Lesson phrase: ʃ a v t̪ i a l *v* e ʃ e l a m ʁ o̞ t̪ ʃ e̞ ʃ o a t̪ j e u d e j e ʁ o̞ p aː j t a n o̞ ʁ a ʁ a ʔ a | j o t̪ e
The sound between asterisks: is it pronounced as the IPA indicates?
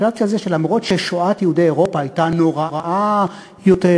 no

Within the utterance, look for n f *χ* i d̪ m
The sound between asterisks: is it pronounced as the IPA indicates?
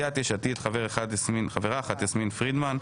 no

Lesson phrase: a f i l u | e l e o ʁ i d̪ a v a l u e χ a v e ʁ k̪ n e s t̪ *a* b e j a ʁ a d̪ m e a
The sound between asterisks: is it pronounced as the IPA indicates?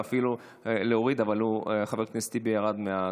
no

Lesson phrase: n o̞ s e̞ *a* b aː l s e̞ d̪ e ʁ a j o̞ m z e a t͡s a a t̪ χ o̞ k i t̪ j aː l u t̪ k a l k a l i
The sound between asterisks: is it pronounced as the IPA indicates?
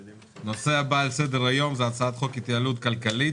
yes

